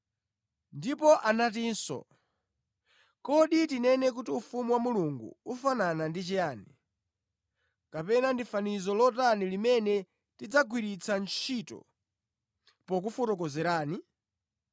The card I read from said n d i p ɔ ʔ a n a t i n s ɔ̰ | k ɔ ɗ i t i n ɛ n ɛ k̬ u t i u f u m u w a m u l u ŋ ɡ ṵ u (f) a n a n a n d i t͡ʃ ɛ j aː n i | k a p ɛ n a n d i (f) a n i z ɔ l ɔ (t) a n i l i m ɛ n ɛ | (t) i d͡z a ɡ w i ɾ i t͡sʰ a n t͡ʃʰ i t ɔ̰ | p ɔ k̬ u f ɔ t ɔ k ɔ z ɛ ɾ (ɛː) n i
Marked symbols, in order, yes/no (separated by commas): yes, yes, yes, yes, no